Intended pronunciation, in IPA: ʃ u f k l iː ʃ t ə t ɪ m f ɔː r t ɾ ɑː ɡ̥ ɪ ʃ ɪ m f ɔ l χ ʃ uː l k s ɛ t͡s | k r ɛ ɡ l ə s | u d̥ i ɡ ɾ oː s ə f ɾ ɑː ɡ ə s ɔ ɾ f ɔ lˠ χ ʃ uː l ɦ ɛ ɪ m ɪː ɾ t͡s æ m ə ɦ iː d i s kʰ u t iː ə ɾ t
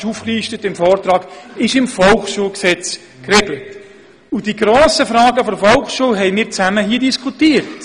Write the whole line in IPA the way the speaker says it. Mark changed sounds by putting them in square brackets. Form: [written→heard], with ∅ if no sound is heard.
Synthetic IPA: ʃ u f k l iː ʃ t ə t ɪ m f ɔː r t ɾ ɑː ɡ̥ ɪ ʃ ɪ m f ɔ l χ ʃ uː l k s ɛ t͡s | k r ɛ ɡ l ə [s→t] | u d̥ i ɡ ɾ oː s ə f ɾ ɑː ɡ ə [s→f] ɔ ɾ f ɔ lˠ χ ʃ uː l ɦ ɛ ɪ m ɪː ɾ t͡s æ m ə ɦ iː d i s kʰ u t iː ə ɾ t